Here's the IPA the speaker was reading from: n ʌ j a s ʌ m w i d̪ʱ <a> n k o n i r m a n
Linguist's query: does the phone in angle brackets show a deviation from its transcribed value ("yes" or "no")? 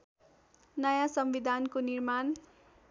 no